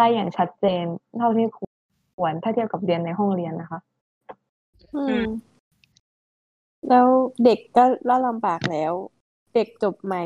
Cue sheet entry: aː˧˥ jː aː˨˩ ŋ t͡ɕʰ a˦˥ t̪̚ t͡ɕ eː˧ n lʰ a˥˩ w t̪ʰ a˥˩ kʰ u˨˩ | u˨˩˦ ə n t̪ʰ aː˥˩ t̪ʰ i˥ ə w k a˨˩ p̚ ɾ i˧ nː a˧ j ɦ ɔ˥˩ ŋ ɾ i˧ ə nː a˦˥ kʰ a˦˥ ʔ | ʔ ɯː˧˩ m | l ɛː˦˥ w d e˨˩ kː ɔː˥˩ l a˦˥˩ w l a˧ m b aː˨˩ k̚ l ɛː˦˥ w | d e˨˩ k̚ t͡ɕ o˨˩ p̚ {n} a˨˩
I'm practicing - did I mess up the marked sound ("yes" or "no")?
yes